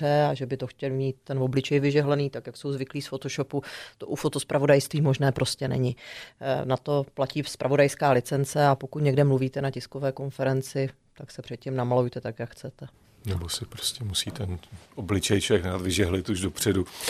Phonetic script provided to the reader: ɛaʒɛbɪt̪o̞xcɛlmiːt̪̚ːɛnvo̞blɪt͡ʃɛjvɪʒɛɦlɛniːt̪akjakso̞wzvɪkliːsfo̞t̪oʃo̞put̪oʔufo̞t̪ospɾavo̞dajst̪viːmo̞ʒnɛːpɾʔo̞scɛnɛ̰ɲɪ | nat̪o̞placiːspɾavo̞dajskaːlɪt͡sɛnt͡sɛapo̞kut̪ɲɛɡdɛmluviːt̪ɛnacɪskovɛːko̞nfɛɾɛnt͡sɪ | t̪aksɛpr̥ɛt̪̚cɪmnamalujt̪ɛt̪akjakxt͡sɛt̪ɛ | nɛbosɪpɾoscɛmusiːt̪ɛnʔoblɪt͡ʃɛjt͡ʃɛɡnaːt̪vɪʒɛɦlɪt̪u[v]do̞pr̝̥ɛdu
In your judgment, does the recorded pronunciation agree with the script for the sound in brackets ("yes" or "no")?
no